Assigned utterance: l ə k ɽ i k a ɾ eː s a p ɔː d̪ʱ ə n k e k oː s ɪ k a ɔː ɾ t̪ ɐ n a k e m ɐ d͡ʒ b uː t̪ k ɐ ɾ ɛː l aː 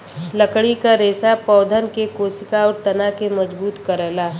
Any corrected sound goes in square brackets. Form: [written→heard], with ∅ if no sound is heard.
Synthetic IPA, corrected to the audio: l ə k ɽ i k a ɾ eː s a p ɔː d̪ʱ ə n k e k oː s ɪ k a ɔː ɾ t̪ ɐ n a k e m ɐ d͡ʒ b uː t̪ k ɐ ɾ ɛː l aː